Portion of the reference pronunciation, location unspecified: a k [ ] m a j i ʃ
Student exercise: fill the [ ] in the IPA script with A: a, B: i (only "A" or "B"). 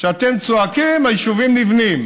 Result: B